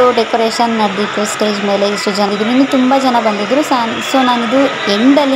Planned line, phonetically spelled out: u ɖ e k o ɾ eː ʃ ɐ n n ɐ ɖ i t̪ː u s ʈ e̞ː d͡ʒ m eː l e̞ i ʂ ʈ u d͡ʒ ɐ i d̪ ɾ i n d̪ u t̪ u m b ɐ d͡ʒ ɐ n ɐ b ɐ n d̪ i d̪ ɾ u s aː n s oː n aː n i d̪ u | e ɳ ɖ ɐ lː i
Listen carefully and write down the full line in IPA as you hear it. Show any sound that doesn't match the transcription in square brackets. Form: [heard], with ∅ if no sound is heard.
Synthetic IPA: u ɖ e k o ɾ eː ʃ ɐ n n ɐ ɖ i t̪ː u s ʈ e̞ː d͡ʒ m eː l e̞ i ʂ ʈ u d͡ʒ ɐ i d̪ ɾ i n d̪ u t̪ u m b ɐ d͡ʒ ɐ n ɐ b ɐ n d̪ i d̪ ɾ u s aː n s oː n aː n i d̪ u | e ɳ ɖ ɐ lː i